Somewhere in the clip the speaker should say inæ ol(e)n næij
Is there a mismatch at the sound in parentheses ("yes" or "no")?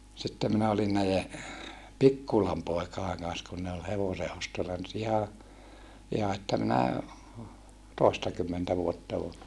yes